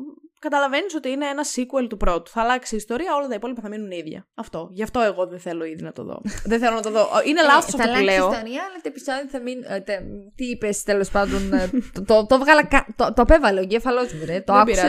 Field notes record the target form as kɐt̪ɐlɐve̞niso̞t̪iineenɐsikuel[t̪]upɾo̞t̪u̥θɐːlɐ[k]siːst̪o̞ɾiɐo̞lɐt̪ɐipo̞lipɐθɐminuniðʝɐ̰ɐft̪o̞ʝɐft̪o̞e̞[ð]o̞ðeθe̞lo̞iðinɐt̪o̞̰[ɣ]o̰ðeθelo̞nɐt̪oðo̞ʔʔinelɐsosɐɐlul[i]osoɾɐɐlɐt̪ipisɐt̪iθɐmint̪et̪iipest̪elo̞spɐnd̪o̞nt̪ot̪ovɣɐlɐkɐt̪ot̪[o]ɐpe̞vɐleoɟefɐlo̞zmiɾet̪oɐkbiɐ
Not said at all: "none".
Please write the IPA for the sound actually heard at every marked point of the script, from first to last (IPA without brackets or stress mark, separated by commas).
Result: t̪, k, ɣ, ð, e, o